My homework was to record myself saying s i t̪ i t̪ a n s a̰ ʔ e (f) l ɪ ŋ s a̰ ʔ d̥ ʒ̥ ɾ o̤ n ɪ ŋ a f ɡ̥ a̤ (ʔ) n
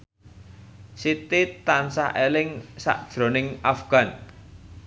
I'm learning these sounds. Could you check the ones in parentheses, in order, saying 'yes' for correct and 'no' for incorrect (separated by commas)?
no, no